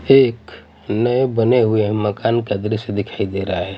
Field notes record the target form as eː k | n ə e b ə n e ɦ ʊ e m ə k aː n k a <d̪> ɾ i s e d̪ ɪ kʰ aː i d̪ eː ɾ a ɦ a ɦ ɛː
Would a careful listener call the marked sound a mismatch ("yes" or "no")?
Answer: no